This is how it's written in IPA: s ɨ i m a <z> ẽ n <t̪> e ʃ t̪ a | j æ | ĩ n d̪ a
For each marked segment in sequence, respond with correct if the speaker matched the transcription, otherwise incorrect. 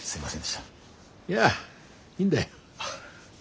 incorrect: s, incorrect: d̪

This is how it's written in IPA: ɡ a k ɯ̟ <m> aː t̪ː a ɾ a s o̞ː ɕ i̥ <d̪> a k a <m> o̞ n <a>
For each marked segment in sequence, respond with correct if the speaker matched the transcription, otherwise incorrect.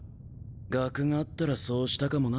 incorrect: ŋ, incorrect: t̪, correct, correct

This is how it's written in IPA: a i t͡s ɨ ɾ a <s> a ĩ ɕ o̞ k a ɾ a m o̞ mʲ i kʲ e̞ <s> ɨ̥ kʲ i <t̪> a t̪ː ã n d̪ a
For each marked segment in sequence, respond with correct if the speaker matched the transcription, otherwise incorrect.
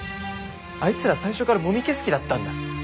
correct, correct, incorrect: d̪

